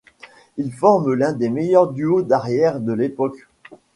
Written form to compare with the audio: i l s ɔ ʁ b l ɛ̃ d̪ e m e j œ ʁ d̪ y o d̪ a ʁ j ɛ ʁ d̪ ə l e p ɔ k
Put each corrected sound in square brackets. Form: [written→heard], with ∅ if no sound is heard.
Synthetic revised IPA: i l [s→f] ɔ ʁ [b→m] l ɛ̃ d̪ e m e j œ ʁ d̪ y o d̪ a ʁ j ɛ ʁ d̪ ə l e p ɔ k